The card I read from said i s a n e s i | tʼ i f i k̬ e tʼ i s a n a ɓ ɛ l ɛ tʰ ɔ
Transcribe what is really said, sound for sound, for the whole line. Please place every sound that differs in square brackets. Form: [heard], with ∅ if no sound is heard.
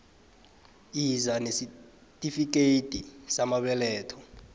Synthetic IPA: i [z] a n e s i | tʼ i f i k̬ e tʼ i s a [m] a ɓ ɛ l [ɛː] tʰ ɔ